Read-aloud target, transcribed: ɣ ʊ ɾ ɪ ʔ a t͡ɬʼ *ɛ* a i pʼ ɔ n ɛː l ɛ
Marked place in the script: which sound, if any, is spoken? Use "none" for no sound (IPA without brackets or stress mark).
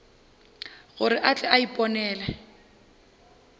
ɛ